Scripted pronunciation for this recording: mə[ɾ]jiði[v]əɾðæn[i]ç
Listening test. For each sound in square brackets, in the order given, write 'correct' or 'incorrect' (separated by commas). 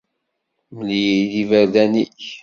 incorrect, correct, correct